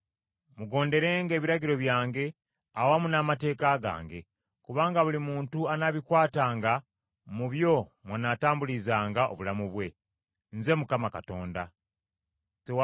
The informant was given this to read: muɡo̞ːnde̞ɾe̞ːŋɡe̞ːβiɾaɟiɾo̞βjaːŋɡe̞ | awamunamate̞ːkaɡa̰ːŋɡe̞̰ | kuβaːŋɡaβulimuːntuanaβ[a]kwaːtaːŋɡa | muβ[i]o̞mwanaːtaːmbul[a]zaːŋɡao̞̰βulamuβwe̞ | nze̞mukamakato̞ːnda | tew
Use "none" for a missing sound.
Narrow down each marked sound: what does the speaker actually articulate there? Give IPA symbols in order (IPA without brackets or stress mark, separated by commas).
i, j, i